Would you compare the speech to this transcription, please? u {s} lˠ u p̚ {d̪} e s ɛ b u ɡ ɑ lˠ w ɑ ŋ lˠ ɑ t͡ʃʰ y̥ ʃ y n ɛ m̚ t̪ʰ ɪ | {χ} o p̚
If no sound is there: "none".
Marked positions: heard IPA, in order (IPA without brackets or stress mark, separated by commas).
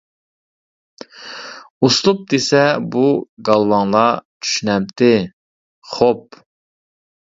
s, d̪, χ